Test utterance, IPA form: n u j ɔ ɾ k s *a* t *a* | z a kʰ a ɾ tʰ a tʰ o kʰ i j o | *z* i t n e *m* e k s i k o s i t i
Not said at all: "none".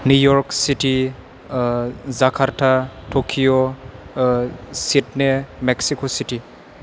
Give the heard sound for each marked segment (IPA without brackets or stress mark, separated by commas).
i, i, s, m